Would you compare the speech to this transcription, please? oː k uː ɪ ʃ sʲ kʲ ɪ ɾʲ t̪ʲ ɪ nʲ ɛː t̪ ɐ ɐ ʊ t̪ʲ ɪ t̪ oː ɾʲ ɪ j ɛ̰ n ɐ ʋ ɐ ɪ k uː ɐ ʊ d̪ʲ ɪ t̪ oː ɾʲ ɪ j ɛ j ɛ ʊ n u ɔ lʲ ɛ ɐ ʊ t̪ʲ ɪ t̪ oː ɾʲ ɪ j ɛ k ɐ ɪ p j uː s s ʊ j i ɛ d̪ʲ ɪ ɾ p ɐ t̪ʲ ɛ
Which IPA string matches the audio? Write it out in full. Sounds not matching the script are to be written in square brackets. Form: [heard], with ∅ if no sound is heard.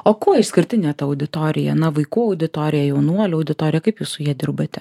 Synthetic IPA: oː k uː ɪ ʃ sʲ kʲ ɪ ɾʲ t̪ʲ ɪ nʲ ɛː t̪ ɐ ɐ ʊ [d̪ʲ] ɪ t̪ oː ɾʲ ɪ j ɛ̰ n ɐ ʋ ɐ ɪ k uː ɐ ʊ d̪ʲ ɪ t̪ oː ɾʲ ɪ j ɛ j ɛ ʊ n u ɔ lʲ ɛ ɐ ʊ [d̪ʲ] ɪ t̪ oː ɾʲ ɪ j ɛ k ɐ ɪ p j uː s s ʊ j i ɛ d̪ʲ ɪ ɾ [b] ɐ t̪ʲ ɛ